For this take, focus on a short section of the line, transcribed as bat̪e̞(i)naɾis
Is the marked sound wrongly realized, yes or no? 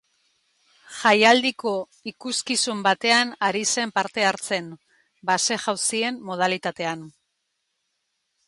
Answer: yes